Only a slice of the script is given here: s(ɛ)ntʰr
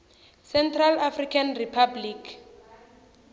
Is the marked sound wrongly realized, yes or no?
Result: no